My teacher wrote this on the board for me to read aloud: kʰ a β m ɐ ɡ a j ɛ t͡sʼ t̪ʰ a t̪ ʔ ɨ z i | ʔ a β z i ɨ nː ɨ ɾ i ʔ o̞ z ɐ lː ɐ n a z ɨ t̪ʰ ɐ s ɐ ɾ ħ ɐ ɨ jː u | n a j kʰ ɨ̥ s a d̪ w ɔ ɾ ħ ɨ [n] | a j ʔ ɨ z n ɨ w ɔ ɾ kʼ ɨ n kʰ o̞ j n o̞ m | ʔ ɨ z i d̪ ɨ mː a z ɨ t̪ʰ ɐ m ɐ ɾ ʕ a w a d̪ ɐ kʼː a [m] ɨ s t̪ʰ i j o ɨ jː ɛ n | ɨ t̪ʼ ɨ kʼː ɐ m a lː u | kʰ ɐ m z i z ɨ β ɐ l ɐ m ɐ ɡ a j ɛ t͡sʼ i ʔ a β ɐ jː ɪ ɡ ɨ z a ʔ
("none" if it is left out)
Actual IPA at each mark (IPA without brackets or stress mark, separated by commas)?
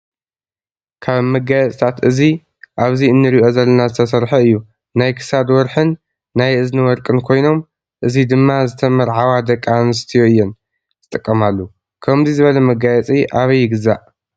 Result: nː, n